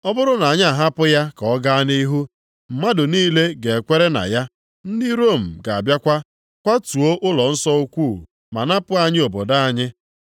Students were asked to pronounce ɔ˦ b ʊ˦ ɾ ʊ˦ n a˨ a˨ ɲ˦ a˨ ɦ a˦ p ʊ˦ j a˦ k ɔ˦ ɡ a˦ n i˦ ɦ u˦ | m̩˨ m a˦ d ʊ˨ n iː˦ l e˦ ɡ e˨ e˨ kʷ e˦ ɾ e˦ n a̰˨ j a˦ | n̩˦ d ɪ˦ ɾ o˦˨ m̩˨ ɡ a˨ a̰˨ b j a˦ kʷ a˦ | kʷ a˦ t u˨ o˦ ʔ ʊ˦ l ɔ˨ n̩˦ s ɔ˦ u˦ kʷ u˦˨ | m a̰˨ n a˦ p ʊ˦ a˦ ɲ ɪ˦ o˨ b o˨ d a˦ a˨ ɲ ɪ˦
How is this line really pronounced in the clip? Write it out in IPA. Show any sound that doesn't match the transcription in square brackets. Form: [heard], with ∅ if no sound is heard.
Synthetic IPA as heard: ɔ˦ b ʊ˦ ɾ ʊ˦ n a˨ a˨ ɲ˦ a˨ ɦ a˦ p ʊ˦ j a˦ k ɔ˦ ɡ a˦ n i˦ ɦ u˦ | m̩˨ m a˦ d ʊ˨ n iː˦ l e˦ ɡ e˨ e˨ kʷ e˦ ɾ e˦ n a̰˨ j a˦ | n̩˦ d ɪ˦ ɾ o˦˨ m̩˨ ɡ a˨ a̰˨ b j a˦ kʷ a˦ | kʷ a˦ t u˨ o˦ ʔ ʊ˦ l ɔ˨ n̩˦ s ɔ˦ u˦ kʷ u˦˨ | m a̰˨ n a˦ p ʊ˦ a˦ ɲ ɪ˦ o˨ b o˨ d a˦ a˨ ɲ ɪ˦